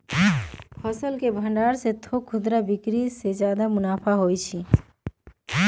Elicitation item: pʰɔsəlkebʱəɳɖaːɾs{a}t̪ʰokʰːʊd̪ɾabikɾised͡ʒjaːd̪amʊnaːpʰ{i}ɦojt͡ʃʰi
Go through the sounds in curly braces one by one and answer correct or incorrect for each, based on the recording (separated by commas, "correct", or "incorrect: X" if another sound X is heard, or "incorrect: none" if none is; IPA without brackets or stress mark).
incorrect: e, incorrect: a